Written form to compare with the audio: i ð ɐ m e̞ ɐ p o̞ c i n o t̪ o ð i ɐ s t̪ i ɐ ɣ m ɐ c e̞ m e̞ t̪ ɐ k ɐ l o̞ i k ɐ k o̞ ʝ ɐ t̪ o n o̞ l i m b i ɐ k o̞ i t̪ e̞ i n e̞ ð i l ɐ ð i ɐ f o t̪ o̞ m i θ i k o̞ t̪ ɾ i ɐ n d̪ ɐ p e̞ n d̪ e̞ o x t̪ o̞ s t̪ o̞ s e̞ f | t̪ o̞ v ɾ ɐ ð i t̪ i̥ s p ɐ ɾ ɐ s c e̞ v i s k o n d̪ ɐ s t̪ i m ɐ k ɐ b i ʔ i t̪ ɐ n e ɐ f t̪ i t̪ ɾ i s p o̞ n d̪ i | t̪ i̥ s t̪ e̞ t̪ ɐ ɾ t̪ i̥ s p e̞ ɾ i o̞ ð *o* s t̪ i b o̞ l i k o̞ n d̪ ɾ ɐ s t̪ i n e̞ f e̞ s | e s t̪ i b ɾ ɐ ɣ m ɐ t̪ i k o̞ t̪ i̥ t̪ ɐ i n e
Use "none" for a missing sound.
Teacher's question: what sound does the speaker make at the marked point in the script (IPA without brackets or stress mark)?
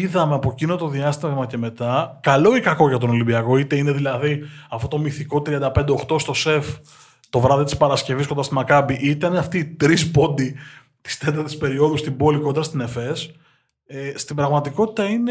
u